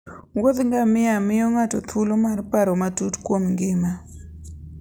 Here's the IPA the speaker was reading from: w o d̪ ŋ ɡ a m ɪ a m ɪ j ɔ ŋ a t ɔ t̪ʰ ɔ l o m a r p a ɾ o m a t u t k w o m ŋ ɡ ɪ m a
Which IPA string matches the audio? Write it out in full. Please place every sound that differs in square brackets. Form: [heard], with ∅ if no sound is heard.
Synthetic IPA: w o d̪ ŋ ɡ a m ɪ a m ɪ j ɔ ŋ a t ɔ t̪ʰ [u] l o m a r p a ɾ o m a t u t k w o m ŋ ɡ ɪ m a